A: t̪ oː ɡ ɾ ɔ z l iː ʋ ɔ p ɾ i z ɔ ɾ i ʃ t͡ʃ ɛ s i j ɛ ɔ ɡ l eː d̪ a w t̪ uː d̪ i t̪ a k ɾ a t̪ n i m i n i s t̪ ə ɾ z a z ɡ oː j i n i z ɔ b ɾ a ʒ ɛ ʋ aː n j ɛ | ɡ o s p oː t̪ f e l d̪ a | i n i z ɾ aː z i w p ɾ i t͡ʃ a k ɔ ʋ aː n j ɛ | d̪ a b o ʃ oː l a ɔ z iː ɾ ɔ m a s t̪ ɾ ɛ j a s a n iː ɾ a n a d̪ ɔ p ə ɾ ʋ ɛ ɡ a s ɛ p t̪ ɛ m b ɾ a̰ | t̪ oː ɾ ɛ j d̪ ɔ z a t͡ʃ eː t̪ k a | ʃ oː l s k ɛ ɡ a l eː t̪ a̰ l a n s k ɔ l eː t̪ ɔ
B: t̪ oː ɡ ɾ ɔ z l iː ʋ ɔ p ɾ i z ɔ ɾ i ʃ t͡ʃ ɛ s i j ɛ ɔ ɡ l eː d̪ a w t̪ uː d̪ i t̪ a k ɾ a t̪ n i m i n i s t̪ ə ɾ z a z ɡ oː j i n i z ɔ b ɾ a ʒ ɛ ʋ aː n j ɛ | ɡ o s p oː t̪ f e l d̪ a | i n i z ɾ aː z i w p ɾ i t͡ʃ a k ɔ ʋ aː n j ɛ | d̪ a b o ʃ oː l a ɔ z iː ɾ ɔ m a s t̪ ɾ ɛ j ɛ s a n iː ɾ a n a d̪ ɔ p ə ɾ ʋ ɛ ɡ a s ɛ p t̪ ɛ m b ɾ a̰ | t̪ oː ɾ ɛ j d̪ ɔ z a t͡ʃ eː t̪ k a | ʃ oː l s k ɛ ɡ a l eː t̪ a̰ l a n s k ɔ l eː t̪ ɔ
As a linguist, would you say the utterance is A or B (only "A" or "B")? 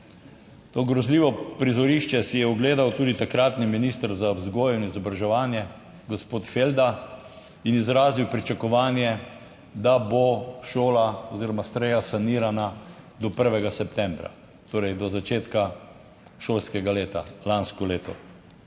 A